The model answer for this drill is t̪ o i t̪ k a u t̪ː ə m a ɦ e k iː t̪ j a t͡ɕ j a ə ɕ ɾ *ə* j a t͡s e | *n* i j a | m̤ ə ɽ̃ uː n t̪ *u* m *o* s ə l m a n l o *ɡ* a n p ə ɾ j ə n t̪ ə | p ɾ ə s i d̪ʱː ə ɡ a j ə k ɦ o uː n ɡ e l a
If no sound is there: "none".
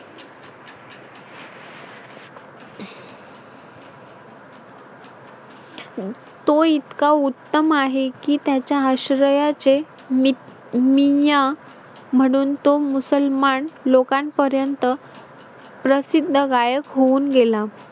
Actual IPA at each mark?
ə, m, o, u, k

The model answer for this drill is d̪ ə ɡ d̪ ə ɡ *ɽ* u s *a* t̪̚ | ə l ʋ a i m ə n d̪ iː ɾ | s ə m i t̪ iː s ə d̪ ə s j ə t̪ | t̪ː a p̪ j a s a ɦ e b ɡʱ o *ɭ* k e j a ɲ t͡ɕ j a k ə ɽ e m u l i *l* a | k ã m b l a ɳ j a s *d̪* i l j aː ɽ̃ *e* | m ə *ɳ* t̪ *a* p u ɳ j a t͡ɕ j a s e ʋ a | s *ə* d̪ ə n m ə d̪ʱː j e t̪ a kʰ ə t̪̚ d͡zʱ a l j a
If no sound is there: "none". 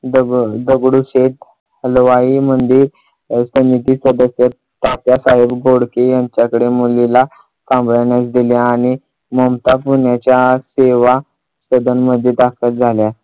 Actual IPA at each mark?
ɽ, e, ɽ, l, d̪, i, m, a, ə

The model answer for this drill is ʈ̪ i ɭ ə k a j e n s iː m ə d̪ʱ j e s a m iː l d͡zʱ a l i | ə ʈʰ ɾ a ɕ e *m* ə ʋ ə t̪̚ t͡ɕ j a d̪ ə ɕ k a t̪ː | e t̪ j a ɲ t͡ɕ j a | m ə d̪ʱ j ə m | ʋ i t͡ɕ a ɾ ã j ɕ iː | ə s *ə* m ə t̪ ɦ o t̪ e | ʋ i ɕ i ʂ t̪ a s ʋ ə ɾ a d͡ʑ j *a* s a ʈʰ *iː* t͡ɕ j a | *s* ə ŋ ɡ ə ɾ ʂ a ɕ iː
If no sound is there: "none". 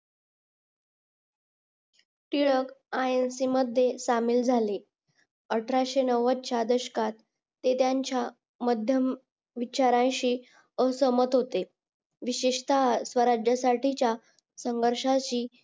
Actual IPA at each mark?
n, ə, ə, i, s

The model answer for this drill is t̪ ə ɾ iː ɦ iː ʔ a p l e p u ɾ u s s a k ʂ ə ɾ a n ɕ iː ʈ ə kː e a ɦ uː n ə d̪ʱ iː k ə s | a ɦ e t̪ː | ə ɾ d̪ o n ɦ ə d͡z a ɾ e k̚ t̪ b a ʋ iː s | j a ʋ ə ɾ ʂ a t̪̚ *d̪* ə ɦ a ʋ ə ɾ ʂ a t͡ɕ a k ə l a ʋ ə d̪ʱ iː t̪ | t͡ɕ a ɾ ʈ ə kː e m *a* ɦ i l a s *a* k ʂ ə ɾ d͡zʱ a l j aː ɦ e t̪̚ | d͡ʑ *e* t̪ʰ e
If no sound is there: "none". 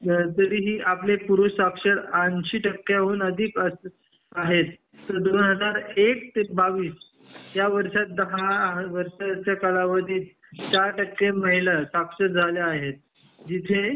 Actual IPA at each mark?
d̪, ə, a, i

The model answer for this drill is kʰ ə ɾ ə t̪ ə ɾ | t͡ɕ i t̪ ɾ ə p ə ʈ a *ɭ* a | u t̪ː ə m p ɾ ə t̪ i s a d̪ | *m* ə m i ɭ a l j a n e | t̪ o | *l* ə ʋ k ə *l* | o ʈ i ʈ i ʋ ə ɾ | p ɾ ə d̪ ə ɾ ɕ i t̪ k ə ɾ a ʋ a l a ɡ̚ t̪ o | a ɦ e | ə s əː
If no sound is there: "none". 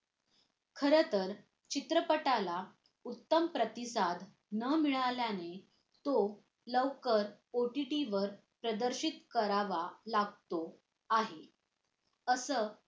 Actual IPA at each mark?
l, n, l, ɾ

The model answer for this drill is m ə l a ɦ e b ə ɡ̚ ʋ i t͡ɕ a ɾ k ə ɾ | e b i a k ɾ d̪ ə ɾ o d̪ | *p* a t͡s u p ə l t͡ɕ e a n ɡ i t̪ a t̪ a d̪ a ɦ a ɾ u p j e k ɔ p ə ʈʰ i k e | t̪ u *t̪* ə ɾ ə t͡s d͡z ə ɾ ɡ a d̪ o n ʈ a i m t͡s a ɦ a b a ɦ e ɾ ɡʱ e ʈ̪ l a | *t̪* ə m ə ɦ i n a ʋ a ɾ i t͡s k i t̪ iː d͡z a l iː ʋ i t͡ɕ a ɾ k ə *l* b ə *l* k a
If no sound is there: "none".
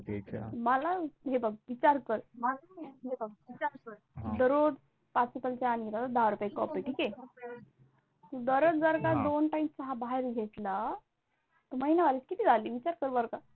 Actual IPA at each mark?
p, d̪, t̪, ɾ, ɾ

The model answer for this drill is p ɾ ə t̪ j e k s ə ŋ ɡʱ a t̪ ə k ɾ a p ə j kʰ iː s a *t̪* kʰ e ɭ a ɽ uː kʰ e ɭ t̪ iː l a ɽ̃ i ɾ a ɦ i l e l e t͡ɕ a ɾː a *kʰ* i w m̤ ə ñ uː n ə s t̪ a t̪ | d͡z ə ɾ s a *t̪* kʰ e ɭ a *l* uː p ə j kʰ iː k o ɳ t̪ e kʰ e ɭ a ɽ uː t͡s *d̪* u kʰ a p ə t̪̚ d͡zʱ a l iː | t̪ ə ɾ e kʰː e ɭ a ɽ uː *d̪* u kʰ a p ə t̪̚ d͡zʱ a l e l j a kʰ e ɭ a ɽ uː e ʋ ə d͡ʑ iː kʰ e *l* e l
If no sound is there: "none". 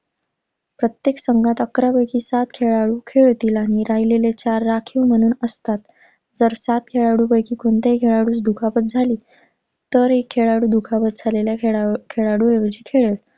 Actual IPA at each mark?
t̪, kʰ, t̪, ɽ, d̪, d̪, ɭ

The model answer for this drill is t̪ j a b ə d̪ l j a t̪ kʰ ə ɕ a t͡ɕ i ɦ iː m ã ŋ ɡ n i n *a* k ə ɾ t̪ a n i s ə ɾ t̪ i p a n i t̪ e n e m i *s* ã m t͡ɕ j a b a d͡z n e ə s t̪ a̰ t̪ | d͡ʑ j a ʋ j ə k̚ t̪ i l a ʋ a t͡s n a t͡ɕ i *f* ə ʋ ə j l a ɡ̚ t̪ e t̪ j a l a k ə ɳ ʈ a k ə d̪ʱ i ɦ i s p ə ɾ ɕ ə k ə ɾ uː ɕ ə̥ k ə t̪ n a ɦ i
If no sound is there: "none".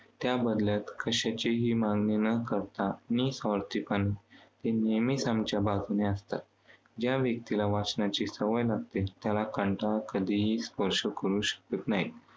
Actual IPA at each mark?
ə, s, s

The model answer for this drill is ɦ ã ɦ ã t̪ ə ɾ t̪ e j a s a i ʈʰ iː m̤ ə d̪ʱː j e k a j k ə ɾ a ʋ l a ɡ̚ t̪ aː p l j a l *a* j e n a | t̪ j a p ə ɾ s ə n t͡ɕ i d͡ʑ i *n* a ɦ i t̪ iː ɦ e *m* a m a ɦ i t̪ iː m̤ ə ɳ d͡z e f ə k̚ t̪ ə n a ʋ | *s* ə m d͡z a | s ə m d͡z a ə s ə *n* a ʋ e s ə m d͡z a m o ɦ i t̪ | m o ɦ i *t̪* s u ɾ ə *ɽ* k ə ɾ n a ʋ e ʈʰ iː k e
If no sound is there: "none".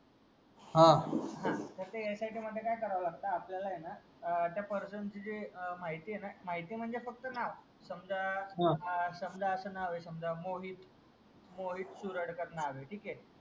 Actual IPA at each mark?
a, m, n, s, n, t̪, ɽ

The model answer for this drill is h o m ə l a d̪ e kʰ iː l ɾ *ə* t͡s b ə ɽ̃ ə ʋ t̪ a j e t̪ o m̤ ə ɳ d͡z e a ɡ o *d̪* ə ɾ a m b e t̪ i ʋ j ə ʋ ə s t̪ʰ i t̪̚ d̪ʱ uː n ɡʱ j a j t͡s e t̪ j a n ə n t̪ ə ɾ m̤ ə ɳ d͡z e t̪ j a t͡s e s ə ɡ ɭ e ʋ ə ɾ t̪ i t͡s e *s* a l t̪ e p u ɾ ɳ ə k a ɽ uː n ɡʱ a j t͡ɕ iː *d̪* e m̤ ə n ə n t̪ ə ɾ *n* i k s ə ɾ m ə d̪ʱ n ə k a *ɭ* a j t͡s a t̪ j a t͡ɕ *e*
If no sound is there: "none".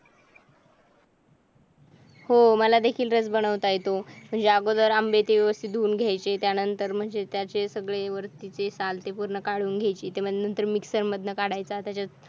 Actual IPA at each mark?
ə, d̪, s, t̪, m, ɽ, a

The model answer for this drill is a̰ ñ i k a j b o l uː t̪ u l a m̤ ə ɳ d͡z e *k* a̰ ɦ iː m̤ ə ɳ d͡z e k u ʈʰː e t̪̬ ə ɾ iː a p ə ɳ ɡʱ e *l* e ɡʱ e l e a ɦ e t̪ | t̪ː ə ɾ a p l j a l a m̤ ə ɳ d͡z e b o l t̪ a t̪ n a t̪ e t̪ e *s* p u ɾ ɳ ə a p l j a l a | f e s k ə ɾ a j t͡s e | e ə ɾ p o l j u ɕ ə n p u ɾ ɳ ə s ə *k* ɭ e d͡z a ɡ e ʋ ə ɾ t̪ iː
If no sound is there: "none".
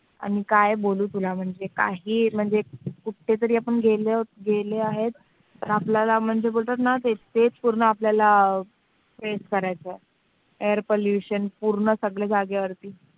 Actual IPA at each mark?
k, l, t͡s, ɡ

